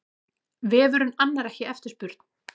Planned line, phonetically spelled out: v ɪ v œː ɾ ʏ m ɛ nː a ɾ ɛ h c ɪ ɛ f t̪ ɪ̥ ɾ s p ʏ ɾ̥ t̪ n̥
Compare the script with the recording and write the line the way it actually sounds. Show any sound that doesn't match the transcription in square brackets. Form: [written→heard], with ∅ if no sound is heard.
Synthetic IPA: v ɪ v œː ɾ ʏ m [ɛ→a] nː a ɾ ɛ h c ɪ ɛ f t̪ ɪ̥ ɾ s p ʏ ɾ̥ t̪ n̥